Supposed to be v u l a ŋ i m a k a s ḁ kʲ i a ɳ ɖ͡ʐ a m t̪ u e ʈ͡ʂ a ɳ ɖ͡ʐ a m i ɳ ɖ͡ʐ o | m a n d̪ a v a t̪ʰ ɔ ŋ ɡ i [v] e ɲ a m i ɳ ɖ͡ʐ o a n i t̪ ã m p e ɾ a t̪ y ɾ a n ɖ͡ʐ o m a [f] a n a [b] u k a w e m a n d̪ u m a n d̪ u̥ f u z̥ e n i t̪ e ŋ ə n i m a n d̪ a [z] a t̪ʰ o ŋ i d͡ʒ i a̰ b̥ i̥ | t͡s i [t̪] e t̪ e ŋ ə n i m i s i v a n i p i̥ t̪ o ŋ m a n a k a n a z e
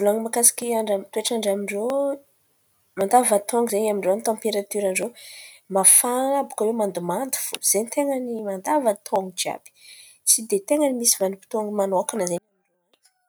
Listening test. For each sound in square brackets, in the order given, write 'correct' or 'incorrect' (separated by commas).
incorrect, correct, correct, incorrect, incorrect